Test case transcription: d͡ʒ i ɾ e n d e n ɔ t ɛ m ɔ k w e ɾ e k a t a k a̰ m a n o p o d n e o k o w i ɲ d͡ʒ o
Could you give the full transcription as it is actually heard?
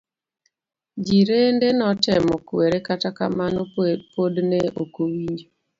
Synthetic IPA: d͡ʒ i ɾ e n d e n ɔ t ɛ m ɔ k w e ɾ e k a t a k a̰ m a n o p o d n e o k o w i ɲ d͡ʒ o